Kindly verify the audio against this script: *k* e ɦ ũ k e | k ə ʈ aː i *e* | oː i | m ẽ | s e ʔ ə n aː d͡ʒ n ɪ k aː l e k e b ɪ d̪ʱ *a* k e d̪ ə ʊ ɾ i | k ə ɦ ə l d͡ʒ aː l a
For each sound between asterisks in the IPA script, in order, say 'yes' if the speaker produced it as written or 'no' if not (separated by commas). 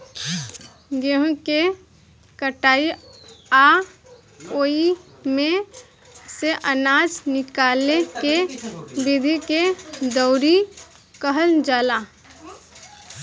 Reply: no, no, no